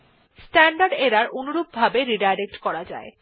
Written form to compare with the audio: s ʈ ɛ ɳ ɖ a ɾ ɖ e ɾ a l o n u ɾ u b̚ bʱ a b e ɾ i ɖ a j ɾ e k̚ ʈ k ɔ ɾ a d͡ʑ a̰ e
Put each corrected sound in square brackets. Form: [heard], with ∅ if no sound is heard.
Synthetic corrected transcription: s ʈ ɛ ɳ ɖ a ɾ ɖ e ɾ a [ɾ] o n u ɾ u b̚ bʱ a b e ɾ i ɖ a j ɾ e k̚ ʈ k ɔ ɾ a d͡ʑ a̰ e